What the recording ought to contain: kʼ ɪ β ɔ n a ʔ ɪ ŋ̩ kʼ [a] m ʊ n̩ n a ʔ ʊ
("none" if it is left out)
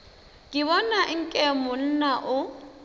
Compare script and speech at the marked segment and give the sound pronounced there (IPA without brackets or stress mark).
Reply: ɛ